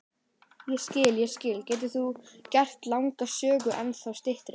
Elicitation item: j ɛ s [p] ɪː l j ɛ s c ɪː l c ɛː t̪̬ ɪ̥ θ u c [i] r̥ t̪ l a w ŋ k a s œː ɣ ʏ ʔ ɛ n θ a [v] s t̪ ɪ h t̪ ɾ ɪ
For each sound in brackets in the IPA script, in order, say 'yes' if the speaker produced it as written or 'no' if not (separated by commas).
no, no, no